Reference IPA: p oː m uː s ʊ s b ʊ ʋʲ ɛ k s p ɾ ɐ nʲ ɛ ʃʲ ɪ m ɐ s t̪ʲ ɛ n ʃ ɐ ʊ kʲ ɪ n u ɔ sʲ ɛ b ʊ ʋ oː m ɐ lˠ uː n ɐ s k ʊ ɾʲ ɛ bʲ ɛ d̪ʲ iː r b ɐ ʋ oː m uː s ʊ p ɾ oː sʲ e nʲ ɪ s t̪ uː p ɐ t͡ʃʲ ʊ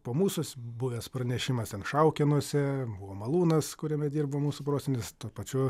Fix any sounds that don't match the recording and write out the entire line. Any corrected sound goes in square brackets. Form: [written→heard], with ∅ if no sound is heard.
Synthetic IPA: p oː m uː s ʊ s b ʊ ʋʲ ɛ [k→∅] s p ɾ ɐ nʲ ɛ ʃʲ ɪ m ɐ s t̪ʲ ɛ n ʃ ɐ ʊ kʲ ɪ n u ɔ sʲ ɛ b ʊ ʋ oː m ɐ lˠ uː n ɐ s k ʊ ɾʲ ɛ [bʲ→mʲ] ɛ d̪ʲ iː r b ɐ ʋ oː m uː s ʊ p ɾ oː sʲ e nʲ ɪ s t̪ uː p ɐ t͡ʃʲ ʊ